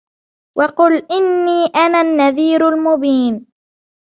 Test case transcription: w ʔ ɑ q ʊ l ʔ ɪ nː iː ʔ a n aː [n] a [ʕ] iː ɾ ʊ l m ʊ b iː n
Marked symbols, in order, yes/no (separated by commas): no, no